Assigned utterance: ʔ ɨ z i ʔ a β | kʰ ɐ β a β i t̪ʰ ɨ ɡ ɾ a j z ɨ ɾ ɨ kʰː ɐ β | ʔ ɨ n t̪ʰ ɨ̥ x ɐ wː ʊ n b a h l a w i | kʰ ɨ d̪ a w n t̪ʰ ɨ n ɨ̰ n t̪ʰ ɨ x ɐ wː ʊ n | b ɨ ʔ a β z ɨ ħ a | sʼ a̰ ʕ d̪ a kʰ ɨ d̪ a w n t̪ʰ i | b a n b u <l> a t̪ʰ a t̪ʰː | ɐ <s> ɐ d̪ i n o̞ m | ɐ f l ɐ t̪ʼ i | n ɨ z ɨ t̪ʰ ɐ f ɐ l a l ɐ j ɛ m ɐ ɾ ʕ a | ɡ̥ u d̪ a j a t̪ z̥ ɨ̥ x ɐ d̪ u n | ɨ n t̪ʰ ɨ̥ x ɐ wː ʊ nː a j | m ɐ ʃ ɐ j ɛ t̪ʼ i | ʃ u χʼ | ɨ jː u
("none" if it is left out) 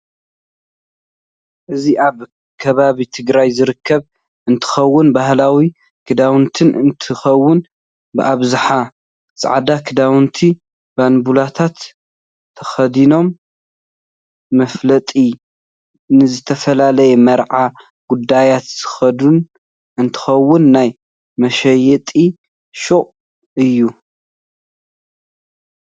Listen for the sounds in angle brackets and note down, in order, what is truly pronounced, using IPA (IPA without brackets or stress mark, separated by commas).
l, x